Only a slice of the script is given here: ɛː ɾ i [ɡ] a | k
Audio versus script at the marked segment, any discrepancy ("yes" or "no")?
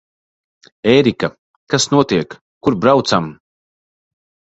yes